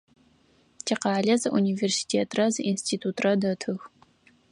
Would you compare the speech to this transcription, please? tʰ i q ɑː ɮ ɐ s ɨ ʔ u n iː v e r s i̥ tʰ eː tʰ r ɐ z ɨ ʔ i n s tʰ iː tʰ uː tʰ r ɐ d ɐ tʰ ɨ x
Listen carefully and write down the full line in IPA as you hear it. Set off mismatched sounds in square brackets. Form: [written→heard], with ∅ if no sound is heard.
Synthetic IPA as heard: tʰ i q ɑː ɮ ɐ [s→z] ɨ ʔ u n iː v e r s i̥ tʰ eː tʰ r ɐ z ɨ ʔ i n s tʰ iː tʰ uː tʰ r ɐ d ɐ tʰ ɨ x